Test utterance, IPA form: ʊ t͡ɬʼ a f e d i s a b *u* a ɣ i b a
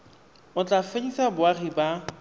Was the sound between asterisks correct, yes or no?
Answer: no